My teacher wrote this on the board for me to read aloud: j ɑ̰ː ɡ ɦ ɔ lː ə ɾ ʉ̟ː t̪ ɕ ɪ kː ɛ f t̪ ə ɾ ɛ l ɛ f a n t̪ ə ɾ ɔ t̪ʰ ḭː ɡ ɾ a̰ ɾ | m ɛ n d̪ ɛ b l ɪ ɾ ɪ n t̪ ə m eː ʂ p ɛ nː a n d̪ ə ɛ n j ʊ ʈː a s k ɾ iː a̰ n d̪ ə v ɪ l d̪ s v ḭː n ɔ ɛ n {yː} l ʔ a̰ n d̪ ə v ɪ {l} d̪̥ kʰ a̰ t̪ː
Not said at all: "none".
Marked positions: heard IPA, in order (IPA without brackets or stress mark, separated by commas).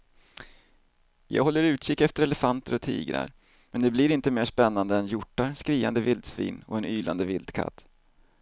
yː, l